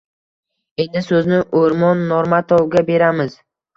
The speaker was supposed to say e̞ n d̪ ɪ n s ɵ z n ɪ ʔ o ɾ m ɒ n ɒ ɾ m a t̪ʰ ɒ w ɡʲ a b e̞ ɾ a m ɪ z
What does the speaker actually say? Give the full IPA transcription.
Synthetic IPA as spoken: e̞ n d̪ ɪ s ɵ z n ɪ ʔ o ɾ m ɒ nː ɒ ɾ m a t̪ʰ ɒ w ɡʲ a b e̞ ɾ a m ɪ z